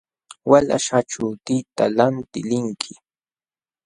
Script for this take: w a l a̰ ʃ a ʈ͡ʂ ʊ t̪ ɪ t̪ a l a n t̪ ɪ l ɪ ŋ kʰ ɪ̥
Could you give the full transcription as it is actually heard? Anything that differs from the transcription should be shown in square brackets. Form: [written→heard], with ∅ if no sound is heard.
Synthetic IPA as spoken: w a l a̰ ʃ a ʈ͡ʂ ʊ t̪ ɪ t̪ a l a n t̪ ɪ l ɪ ŋ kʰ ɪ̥